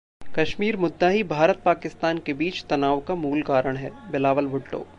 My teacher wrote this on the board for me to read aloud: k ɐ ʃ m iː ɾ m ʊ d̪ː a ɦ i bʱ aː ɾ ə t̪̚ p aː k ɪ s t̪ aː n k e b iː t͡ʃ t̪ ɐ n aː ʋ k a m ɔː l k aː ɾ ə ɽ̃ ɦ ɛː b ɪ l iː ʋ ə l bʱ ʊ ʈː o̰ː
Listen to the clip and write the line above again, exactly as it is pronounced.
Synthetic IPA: k ɐ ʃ m iː ɾ m ʊ d̪ː a ɦ i bʱ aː ɾ ə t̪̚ p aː k ɪ s t̪ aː n k e b iː t͡ʃ t̪ ɐ n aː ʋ k a m uː l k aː ɾ ə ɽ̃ ɦ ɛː b ɪ l aː ʋ ə l bʱ ʊ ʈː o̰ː

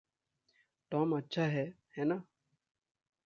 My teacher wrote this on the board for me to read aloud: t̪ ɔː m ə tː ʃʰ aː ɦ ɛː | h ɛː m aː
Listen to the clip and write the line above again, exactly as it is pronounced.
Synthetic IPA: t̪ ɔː m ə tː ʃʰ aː ɦ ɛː | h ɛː n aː

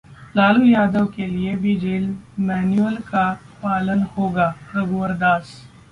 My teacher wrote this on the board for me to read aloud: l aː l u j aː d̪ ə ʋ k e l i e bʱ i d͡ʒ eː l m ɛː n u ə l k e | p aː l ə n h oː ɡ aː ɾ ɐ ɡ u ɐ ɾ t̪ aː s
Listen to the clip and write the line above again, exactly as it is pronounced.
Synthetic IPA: l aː l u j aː d̪ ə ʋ k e l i e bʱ i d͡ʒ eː l m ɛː n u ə l k a | p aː l ə n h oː ɡ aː ɾ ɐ ɡ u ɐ ɾ d̪ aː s

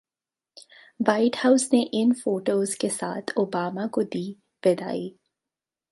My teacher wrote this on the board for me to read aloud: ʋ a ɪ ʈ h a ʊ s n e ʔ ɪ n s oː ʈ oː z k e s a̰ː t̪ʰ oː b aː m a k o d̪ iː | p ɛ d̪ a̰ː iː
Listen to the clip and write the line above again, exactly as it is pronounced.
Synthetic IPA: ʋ a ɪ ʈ h a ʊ s n e ʔ ɪ n f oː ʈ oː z k e s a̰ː t̪ʰ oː b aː m a k o d̪ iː | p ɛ d̪ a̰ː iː

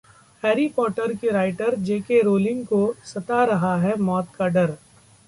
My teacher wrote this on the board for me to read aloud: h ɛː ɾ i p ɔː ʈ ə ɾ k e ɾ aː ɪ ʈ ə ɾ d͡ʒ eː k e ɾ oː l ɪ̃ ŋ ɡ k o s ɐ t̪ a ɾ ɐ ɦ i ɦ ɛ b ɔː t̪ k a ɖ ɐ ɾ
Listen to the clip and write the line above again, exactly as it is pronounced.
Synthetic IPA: h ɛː ɾ i p ɔː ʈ ə ɾ k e ɾ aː ɪ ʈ ə ɾ d͡ʒ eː k e ɾ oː l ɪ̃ ŋ ɡ k o s ɐ t̪ a ɾ ɐ ɦ a ɦ ɛ m ɔː t̪ k a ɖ ɐ ɾ

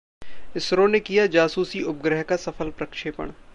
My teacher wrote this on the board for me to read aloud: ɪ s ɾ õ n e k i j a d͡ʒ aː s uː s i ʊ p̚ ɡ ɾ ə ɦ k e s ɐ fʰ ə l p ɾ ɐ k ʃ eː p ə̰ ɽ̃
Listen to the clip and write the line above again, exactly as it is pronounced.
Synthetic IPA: ɪ s ɾ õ n e k i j a d͡ʒ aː s uː s i ʊ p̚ ɡ ɾ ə ɦ k a s ɐ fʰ ə l p ɾ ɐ k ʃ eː p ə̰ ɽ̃

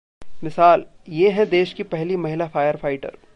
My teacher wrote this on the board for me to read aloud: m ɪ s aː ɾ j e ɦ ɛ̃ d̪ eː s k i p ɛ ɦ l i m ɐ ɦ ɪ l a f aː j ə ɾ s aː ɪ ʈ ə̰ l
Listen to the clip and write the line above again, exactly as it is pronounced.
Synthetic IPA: m ɪ s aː l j e ɦ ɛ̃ d̪ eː ʃ k i p ɛ ɦ l i m ɐ ɦ ɪ l a f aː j ə ɾ f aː ɪ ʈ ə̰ ɾ

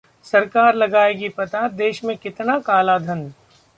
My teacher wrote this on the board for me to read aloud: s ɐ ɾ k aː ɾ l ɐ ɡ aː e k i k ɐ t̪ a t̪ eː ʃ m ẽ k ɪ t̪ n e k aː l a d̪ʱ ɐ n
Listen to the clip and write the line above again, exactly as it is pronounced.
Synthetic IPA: s ɐ ɾ k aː ɾ l ɐ ɡ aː e ɡ i p ɐ t̪ a d̪ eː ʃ m ẽ k ɪ t̪ n a k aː l a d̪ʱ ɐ n

